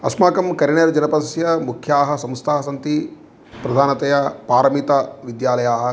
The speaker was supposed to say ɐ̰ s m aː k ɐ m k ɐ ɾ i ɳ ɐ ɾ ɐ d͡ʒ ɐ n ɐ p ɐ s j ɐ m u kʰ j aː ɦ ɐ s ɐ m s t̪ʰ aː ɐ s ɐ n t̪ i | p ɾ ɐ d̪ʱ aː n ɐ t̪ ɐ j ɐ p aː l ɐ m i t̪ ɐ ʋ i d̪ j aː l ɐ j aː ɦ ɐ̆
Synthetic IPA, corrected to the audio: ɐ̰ s m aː k ɐ m k ɐ ɾ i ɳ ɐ ɾ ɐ d͡ʒ ɐ n ɐ p ɐ s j ɐ m u kʰ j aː ɦ ɐ s ɐ m s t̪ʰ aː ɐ s ɐ n t̪ i | p ɾ ɐ d̪ʱ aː n ɐ t̪ ɐ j ɐ p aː ɾ ɐ m i t̪ ɐ ʋ i d̪ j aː l ɐ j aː ɦ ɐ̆